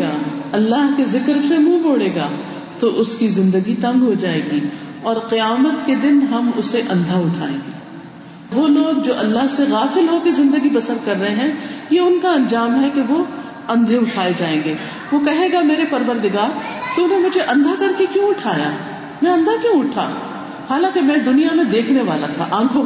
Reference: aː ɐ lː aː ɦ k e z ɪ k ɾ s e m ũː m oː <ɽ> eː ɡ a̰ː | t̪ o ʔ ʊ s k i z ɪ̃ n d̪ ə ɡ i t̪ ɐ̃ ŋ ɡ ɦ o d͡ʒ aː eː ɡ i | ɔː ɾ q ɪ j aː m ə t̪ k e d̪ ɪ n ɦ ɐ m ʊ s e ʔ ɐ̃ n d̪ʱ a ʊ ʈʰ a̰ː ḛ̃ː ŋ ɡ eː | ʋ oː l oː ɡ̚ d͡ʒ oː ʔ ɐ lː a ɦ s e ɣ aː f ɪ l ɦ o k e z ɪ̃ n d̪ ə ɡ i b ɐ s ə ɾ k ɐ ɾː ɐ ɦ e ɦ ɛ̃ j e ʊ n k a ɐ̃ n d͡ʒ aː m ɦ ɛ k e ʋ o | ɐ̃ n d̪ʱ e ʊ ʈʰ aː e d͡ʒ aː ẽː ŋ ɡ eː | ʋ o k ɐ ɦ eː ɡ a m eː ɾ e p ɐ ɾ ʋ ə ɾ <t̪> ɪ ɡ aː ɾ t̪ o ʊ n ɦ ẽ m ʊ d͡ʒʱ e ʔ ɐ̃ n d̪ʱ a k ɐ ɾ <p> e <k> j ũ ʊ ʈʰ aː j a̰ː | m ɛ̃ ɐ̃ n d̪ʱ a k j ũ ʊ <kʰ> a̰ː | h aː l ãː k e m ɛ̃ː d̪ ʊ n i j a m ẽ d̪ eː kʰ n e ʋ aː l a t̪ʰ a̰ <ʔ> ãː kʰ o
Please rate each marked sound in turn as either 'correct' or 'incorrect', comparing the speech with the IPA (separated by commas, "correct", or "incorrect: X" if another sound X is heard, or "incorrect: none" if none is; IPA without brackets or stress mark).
correct, incorrect: d̪, incorrect: k, correct, incorrect: ʈʰ, correct